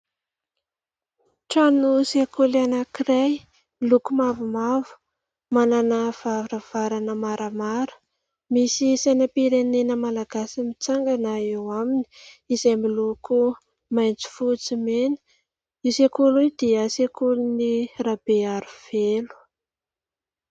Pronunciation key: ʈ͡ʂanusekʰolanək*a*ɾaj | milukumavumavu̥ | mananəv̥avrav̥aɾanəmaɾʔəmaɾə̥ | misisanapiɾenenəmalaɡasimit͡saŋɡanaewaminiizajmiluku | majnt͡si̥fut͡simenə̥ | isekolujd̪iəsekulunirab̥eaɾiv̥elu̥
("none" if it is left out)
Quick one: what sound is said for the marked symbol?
i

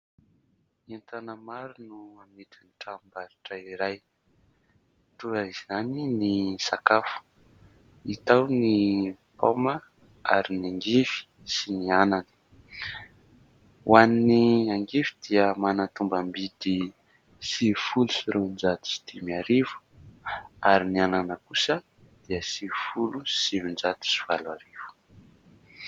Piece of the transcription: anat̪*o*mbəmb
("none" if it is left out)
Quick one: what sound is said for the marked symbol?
u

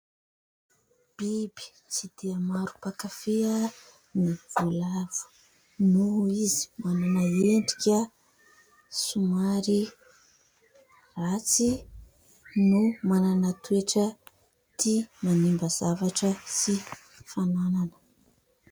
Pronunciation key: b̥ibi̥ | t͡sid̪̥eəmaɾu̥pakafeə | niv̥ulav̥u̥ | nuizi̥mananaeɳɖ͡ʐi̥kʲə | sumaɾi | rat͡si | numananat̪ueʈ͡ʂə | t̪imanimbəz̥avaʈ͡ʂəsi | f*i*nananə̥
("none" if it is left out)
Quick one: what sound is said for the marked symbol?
a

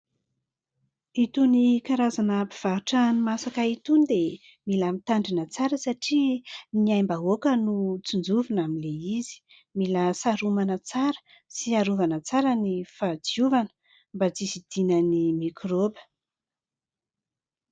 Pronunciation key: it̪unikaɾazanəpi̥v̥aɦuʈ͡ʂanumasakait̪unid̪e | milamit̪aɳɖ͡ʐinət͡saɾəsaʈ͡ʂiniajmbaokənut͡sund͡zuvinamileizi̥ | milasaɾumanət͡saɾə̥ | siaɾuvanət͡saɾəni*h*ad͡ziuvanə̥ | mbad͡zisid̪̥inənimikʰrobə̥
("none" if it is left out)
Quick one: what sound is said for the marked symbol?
f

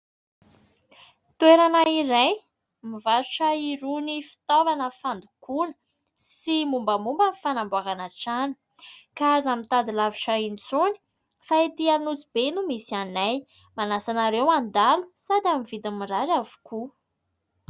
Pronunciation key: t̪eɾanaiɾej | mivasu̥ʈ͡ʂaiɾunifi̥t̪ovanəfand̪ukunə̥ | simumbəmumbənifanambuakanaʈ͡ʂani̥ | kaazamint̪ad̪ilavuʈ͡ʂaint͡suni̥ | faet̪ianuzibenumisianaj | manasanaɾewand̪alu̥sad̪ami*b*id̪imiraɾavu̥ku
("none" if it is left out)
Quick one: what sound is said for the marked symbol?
v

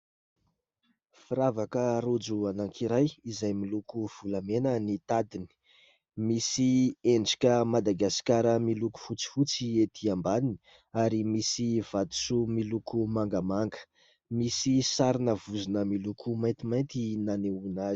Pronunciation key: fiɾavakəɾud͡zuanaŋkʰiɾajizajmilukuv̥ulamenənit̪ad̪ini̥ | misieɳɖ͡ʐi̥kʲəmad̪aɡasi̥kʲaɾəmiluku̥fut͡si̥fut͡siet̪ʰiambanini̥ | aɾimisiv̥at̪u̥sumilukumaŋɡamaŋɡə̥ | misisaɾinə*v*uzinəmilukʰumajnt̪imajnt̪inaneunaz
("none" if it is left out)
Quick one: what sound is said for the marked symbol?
v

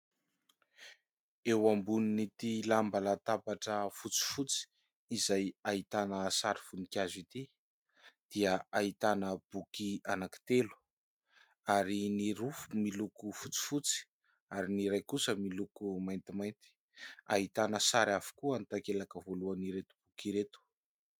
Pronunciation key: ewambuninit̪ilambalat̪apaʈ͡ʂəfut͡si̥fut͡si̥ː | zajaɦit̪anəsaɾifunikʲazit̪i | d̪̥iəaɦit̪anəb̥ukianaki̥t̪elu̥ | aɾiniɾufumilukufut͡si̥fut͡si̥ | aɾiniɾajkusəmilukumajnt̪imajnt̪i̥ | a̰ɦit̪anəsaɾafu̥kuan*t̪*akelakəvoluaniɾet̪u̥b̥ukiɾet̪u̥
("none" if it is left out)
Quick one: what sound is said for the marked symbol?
t̪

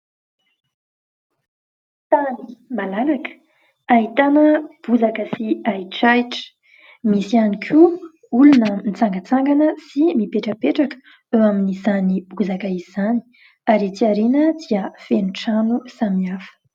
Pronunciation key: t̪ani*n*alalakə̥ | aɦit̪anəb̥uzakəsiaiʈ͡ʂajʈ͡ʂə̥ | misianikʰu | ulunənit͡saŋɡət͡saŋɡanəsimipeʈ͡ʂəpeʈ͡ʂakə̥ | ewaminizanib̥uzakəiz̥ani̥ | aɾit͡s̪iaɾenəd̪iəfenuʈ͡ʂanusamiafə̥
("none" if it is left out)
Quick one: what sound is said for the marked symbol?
m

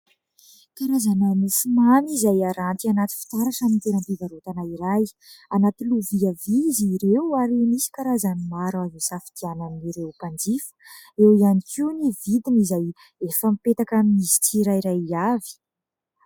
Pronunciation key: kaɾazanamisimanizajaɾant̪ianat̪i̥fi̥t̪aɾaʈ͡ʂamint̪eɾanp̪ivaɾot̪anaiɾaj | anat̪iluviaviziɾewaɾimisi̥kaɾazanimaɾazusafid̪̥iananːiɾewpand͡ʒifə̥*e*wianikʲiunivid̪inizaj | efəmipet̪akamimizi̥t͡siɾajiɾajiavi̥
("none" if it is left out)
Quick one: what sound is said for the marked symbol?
e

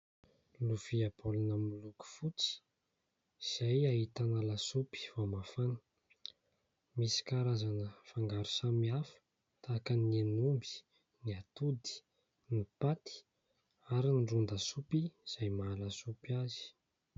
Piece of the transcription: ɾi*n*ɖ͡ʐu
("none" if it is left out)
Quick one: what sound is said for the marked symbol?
n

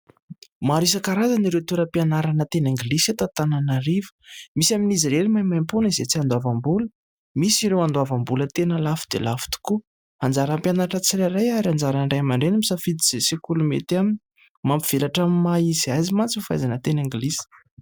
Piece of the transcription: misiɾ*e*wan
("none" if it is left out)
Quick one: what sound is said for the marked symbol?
e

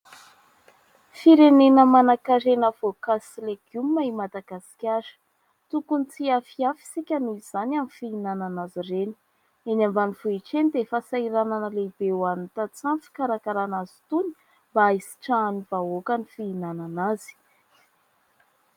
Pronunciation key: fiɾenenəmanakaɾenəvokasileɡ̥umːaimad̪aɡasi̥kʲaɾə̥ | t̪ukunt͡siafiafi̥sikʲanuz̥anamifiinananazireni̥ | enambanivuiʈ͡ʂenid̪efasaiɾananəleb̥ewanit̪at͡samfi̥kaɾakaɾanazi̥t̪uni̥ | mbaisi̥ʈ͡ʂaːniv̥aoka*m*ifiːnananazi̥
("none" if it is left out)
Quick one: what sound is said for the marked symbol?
n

